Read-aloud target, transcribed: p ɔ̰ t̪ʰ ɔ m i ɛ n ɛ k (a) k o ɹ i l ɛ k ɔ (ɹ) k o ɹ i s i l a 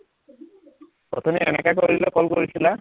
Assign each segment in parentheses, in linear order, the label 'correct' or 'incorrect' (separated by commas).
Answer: correct, incorrect